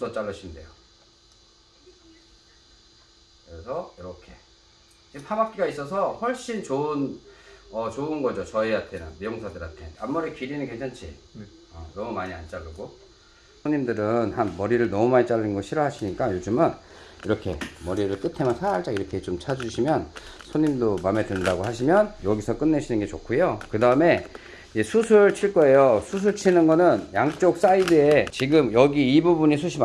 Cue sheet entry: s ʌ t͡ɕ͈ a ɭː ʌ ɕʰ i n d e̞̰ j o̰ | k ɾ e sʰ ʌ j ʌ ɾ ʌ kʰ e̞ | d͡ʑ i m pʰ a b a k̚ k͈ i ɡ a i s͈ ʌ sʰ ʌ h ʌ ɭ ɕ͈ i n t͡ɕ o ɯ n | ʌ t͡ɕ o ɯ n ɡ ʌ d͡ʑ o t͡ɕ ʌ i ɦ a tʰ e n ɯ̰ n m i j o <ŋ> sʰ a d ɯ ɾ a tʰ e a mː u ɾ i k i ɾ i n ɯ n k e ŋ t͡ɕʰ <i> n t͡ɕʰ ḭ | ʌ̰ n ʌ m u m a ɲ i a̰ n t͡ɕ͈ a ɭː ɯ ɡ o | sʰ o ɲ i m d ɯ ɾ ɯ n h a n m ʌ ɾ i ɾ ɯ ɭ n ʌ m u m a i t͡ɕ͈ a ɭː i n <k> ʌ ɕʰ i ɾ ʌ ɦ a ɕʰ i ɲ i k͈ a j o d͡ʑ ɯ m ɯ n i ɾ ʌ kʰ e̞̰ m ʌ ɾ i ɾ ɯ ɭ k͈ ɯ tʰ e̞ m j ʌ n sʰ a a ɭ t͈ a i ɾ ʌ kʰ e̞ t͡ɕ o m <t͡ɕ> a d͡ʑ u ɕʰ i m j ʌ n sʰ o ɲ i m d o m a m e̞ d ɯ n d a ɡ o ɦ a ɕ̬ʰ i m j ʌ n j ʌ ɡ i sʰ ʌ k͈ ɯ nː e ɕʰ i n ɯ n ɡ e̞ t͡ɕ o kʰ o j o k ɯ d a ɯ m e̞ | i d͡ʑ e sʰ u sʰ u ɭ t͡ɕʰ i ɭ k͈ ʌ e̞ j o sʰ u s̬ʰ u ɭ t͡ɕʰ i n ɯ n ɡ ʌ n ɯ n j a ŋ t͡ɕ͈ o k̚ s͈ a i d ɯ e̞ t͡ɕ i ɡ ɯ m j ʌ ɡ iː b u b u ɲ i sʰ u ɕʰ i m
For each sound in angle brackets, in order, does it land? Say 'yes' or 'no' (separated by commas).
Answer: yes, no, no, no